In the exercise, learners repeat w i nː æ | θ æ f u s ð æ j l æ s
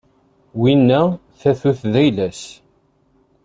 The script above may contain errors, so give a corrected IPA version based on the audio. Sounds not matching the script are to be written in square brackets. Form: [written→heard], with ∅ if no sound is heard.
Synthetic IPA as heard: w i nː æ | θ æ [f→θ] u [s→θ] ð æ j l æ s